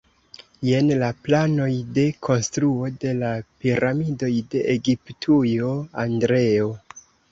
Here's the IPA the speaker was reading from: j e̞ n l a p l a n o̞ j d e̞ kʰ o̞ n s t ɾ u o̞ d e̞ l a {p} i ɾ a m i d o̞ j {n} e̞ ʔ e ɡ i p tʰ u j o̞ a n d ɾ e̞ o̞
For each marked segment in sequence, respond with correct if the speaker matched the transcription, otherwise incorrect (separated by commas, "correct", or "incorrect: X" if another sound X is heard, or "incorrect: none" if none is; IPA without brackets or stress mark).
correct, incorrect: d